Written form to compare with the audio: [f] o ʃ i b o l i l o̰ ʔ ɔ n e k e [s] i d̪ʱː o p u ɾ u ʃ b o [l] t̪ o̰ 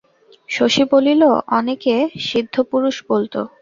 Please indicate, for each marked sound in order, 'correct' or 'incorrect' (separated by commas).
incorrect, incorrect, correct